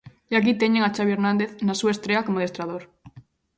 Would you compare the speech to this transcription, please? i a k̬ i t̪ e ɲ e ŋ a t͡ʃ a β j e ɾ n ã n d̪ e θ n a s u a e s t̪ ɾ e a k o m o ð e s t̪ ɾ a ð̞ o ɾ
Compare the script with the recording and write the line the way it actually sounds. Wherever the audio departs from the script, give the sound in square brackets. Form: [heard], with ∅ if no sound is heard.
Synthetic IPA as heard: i a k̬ i t̪ e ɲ e ŋ a t͡ʃ a β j e ɾ n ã n d̪ e θ n a s u a e s t̪ ɾ e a k o m o ð e s t̪ ɾ a ð̞ o ɾ